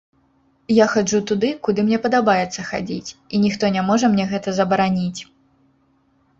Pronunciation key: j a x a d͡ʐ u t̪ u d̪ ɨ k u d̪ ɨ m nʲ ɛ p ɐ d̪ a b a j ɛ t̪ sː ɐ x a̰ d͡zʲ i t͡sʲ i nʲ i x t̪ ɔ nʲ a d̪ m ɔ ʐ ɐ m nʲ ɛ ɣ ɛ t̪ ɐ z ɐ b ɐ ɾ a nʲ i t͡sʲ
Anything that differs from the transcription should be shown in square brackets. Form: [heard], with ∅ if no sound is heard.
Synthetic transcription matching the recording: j a x a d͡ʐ u t̪ u d̪ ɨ k u d̪ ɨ m nʲ ɛ p ɐ d̪ a b a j ɛ t̪ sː ɐ x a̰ d͡zʲ i t͡sʲ i nʲ i x t̪ ɔ nʲ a [∅] m ɔ ʐ ɐ m nʲ ɛ ɣ ɛ t̪ ɐ z ɐ b ɐ ɾ a nʲ i t͡sʲ